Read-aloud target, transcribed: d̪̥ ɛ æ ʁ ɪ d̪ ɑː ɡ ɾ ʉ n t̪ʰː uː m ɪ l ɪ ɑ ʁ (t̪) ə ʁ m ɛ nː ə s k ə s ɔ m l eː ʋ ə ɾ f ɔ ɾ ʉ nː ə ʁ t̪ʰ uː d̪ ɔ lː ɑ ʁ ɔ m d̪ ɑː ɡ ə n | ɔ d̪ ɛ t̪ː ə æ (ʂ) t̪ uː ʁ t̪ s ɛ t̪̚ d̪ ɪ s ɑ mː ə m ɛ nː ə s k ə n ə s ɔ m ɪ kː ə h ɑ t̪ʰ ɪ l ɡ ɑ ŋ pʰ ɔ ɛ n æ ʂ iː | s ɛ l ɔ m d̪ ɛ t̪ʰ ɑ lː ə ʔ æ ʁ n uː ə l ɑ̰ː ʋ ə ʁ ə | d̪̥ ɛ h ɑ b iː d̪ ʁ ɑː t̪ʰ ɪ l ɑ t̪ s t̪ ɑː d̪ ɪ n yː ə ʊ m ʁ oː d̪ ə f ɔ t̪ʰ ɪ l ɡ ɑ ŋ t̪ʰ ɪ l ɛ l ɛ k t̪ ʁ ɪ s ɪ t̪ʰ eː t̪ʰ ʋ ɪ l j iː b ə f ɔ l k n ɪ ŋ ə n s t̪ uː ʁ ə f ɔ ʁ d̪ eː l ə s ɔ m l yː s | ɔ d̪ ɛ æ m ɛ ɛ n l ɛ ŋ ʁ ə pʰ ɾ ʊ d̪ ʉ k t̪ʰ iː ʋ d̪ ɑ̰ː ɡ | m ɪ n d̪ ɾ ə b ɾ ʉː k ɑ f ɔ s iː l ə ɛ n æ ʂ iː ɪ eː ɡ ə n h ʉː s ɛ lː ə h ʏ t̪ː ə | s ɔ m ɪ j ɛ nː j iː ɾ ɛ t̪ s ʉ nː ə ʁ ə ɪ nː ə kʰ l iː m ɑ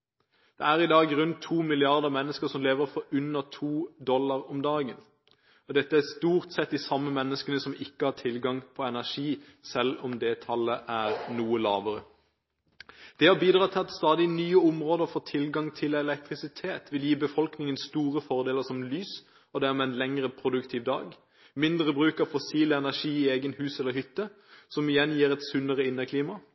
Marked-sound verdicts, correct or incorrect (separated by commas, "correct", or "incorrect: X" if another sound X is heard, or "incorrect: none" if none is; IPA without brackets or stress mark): incorrect: d̪, incorrect: s